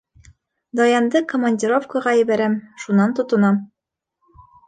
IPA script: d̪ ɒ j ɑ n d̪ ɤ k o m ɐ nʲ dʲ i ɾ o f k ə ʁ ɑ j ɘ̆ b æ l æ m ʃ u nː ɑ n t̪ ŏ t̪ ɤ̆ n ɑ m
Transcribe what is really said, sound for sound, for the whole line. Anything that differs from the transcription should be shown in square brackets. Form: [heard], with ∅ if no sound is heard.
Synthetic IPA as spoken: d̪ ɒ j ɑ n d̪ ɤ k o m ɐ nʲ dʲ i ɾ o f k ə ʁ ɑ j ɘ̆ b æ [ɾ] æ m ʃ u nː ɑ n t̪ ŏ t̪ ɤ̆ n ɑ m